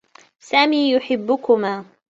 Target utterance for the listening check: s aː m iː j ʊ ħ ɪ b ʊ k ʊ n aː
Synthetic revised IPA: s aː m iː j ʊ ħ ɪ bː ʊ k ʊ m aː